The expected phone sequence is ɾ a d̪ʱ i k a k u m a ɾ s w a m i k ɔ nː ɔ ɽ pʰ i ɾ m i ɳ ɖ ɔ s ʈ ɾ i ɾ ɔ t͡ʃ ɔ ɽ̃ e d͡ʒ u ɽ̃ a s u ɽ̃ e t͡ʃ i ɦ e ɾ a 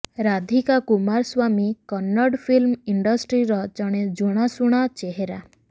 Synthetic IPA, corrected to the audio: ɾ a d̪ʱ i k a k u m a ɾ s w a m i k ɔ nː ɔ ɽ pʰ i l m i ɳ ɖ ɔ s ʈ ɾ i ɾ ɔ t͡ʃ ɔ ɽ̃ e d͡ʒ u ɽ̃ a s u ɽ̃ a t͡ʃ e ɦ e ɾ a